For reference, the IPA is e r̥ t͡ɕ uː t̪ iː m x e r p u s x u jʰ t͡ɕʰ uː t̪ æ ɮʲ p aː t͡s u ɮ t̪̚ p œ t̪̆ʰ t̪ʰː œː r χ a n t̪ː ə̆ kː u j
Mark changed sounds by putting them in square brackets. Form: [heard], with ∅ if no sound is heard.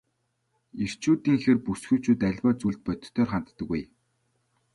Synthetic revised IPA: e r̥ t͡ɕ uː t̪ iː [ŋ] x e r p u s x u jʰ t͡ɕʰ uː t̪ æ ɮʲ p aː t͡s u ɮ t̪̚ p œ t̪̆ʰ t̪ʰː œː r χ a n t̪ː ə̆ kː u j